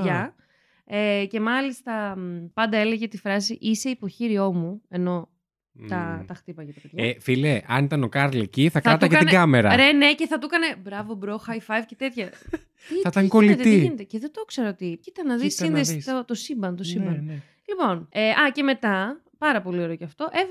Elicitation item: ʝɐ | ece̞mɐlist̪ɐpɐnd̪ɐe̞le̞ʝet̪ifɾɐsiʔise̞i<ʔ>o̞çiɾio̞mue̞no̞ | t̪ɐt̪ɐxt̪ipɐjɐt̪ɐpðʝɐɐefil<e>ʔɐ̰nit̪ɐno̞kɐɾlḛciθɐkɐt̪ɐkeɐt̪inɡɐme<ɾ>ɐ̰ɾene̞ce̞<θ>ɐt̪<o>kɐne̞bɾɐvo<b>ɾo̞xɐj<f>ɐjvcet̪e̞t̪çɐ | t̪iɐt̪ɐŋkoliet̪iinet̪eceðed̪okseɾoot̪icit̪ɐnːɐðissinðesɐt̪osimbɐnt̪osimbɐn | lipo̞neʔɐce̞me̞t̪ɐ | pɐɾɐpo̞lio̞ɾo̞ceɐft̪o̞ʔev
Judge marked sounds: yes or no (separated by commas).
no, yes, yes, yes, no, yes, yes